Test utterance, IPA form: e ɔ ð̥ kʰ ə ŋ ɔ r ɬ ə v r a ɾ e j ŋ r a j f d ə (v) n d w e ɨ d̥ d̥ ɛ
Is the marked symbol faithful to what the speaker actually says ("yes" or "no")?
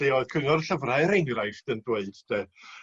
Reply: no